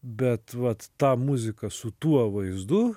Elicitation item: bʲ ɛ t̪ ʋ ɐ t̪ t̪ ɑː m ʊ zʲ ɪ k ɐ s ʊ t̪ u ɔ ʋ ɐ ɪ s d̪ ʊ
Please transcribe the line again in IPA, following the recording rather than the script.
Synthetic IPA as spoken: bʲ ɛ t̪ ʋ ɐ t̪ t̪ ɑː m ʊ zʲ ɪ k ɐ s ʊ t̪ u ɔ ʋ ɐ ɪ z d̪ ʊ